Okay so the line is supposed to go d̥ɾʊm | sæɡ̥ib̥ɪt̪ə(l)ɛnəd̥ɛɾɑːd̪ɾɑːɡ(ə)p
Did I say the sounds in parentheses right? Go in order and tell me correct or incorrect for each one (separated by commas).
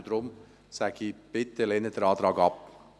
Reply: correct, incorrect